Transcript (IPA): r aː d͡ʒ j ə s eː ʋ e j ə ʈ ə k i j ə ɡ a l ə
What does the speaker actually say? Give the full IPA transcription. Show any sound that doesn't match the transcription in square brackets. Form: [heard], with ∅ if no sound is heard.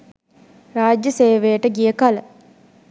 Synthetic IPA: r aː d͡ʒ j ə s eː ʋ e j ə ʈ ə [ɡ] i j ə [k] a l ə